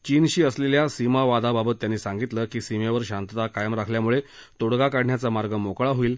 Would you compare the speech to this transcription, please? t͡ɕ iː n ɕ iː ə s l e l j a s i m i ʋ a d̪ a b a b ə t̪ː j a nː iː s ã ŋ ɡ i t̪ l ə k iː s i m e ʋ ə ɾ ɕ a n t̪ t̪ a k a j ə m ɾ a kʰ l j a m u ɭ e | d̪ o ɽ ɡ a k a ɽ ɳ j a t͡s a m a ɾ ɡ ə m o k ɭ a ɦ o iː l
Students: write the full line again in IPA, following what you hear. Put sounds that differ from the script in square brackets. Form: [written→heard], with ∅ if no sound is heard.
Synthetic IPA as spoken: t͡ɕ iː n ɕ iː ə s l e l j a s i m [i→a] ʋ a d̪ a b a b ə t̪ː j a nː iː s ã ŋ ɡ i t̪ l ə k iː s i m e ʋ ə ɾ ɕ a n t̪ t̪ a k a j ə m ɾ a kʰ l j a m u ɭ e | [d̪→t̪] o ɽ ɡ a k a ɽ ɳ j a t͡s a m a ɾ ɡ ə m o k ɭ a ɦ o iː l